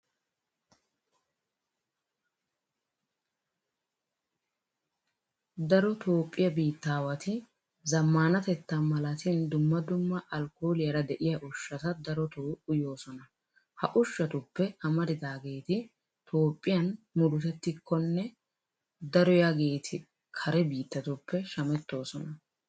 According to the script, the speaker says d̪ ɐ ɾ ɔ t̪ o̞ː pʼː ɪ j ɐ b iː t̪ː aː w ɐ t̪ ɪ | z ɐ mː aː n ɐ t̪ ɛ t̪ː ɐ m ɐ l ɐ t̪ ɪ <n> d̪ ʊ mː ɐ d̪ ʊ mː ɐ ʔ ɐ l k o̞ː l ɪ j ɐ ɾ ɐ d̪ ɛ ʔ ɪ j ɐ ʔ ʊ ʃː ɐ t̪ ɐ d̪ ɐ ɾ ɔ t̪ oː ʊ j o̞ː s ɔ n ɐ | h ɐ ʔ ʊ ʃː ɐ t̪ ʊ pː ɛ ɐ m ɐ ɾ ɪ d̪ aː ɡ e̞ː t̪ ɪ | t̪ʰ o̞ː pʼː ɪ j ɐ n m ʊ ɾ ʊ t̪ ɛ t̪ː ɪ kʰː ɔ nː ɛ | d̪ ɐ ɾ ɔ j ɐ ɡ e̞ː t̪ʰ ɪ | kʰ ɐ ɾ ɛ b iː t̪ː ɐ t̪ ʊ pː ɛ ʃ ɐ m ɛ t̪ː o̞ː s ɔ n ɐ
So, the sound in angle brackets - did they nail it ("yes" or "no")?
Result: yes